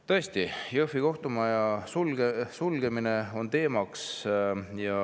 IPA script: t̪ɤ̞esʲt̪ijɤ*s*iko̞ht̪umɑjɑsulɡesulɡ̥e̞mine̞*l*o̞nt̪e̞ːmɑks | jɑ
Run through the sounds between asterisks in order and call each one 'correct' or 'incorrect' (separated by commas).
incorrect, incorrect